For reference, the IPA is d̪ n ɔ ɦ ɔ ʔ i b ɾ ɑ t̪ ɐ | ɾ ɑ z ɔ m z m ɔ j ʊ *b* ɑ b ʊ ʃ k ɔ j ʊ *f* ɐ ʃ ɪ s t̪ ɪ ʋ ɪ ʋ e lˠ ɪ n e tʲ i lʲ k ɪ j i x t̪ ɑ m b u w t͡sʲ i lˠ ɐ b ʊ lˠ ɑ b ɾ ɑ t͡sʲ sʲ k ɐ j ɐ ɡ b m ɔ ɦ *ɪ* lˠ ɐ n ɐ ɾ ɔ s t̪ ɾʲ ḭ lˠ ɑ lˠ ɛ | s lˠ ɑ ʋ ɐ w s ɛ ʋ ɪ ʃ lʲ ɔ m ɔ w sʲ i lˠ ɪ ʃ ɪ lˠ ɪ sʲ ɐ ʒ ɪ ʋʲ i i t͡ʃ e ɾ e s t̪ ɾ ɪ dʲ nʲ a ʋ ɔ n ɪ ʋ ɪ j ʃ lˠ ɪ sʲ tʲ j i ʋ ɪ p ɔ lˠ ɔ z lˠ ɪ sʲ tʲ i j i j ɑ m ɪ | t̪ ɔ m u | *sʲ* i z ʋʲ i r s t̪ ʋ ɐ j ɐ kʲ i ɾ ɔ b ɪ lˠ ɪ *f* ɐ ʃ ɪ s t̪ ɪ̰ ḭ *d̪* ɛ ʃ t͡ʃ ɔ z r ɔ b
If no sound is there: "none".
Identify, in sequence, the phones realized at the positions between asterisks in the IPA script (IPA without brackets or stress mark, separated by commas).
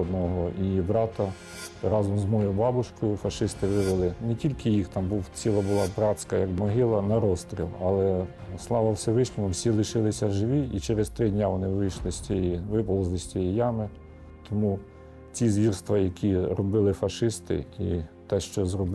b, f, ɪ, t͡sʲ, f, t̪